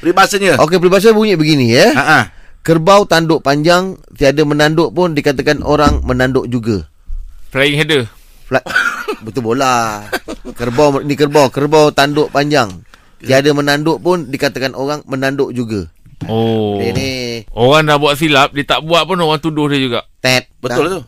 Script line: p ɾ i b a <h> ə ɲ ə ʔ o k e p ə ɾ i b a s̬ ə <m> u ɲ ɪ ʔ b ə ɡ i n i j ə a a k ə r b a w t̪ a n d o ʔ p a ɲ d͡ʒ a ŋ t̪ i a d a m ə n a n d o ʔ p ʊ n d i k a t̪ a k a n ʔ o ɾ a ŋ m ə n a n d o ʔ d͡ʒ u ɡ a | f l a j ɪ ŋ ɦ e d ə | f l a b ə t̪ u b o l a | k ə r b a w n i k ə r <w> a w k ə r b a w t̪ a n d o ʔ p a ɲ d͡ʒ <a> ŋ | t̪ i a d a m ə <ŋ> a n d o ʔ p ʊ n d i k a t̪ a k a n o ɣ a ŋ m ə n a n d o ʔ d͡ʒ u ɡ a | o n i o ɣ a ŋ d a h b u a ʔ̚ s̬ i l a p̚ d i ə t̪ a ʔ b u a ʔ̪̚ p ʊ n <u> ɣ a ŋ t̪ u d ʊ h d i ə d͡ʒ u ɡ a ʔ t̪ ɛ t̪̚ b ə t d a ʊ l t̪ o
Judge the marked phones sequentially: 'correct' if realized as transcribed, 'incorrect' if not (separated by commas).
incorrect, incorrect, incorrect, correct, incorrect, incorrect